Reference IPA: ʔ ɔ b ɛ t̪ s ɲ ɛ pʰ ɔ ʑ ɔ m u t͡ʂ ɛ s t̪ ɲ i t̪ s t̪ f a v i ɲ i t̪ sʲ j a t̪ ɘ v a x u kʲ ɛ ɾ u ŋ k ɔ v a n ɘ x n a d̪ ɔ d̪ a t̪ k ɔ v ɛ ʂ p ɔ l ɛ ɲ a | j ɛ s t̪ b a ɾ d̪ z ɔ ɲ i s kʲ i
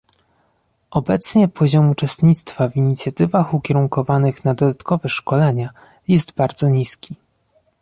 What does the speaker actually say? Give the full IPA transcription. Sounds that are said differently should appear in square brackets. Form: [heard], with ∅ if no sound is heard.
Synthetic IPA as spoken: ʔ ɔ b ɛ t̪ s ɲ ɛ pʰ ɔ ʑ ɔ m u t͡ʂ ɛ s t̪ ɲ i t̪ s t̪ f a v i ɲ i t̪ sʲ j a t̪ ɘ v a x u kʲ ɛ ɾ u ŋ k ɔ v a n ɘ x n a d̪ ɔ d̪ a t̪ k ɔ v ɛ ʂ [k] ɔ l ɛ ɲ a | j ɛ s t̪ b a ɾ d̪ z ɔ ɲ i s kʲ i